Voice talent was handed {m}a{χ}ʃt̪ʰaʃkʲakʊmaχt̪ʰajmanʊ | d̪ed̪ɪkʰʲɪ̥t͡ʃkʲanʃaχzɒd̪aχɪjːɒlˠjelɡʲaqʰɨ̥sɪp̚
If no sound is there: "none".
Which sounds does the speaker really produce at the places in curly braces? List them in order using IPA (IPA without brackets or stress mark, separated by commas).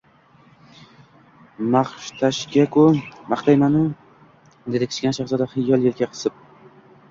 m, χ